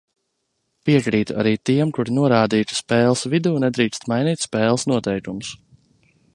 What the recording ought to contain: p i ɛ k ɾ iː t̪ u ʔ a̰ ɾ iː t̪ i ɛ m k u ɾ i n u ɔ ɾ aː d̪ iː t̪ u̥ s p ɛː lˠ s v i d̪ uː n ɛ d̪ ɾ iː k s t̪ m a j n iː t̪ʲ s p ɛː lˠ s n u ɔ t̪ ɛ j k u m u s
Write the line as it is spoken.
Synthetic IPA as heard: p i ɛ k ɾ iː t̪ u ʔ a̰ ɾ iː t̪ i ɛ m k u ɾ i n u ɔ ɾ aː d̪ iː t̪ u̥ s p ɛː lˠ s v i d̪ uː n ɛ d̪ ɾ iː k s t̪ m a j n iː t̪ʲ s p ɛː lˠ s n u ɔ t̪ ɛ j k u m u s